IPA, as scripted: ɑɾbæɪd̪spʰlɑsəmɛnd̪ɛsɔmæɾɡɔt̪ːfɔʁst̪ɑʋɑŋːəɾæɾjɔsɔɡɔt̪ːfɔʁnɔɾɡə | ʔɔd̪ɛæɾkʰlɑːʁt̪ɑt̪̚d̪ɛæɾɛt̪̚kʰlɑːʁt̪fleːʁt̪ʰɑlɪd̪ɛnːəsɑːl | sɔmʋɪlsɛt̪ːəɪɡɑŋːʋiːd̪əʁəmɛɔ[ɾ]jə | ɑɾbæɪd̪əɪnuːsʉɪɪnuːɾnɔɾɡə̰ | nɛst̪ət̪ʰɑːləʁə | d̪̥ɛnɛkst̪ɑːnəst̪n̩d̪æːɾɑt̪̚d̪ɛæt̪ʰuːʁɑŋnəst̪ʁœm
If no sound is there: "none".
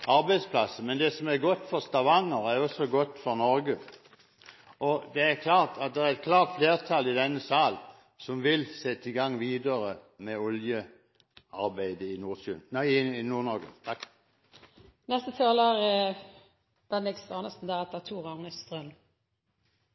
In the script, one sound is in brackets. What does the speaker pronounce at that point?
l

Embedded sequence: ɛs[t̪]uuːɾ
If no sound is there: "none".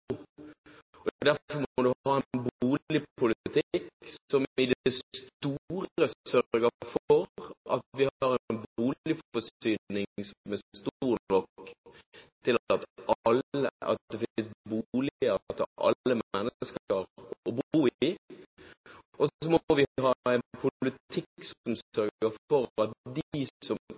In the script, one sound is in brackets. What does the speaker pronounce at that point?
t̪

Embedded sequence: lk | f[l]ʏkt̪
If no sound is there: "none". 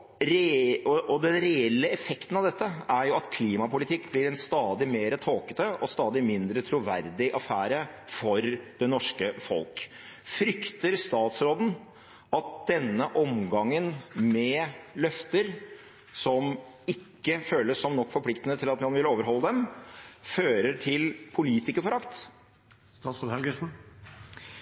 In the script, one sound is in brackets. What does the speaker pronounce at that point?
ɾ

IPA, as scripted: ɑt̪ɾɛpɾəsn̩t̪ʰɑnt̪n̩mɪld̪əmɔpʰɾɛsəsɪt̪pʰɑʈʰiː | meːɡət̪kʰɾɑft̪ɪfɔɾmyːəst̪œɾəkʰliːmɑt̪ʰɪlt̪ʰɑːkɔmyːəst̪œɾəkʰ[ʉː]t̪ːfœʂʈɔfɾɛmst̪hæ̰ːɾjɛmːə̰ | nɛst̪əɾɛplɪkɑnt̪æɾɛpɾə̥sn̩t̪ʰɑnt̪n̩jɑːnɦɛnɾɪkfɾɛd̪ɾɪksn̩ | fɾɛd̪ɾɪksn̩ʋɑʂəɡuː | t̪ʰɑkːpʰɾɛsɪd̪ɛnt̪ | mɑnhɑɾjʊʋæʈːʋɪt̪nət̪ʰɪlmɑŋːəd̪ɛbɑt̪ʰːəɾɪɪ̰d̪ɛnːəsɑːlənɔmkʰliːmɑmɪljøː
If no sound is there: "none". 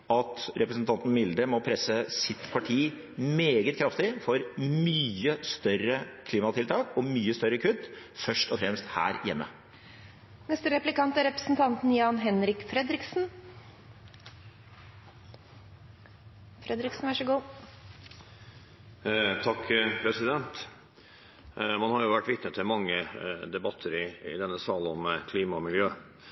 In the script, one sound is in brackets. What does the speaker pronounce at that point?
ʉ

